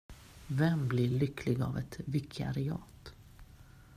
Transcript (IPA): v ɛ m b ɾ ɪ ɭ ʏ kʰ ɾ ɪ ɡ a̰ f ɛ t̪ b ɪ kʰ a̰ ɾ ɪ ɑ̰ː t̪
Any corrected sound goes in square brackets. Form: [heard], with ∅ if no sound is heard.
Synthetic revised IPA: v ɛ m b [l] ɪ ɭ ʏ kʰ [l] ɪ ɡ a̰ [v] ɛ t̪ [v] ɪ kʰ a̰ ɾ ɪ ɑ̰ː t̪